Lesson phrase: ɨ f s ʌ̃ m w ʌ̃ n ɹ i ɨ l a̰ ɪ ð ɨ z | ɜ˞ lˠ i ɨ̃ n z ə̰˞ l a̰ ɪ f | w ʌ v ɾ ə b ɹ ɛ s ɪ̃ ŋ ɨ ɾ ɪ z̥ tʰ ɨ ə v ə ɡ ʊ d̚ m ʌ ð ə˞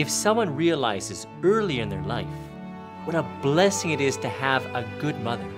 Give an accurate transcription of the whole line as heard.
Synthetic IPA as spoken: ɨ f s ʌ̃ m w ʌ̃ n ɹ i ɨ l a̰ ɪ z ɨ z | ɜ˞ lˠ i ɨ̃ n ð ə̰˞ l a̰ ɪ f | w ʌ ɾ ə b l ɛ s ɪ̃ ŋ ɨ ɾ ɪ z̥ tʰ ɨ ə v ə ɡ ʊ d̚ m ʌ ð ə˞